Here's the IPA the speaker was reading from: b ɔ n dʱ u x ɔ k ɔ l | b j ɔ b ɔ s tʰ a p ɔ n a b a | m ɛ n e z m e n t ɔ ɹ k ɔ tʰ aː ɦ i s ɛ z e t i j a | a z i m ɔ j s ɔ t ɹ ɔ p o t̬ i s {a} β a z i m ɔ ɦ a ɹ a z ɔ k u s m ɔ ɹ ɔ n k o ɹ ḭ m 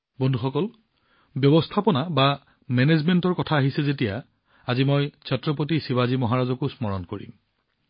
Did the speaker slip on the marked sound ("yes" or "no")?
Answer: yes